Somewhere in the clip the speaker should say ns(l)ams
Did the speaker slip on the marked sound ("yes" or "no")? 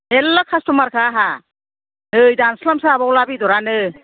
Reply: no